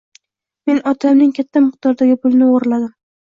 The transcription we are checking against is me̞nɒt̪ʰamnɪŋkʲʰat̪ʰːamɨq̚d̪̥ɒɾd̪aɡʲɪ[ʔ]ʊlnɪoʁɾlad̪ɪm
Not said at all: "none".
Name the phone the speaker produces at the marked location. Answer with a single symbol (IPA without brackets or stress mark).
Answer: p